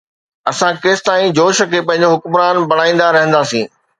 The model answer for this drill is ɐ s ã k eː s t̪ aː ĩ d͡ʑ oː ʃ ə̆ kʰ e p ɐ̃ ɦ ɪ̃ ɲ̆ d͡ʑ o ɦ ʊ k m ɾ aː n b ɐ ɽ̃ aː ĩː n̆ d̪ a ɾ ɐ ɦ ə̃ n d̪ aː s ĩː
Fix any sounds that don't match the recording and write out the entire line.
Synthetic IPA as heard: ɐ s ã k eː s t̪ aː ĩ d͡ʑ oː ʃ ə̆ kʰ e p ɐ̃ ɦ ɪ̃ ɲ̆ d͡ʑ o ɦ ʊ k m ɾ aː n b ɐ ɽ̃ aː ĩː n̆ d̪ a ɾ ɐ ɦ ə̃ n d̪ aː s ĩː